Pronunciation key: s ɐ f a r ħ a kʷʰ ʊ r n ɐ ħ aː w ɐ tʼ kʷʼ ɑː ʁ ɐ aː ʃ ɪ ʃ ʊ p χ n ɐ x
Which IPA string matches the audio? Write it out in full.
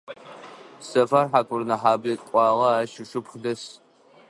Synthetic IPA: s ɐ f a r ħ a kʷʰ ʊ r n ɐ ħ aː b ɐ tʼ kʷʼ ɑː ʁ ɐ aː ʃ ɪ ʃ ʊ p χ d ɐ s